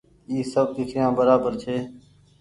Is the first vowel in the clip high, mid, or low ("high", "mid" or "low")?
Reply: high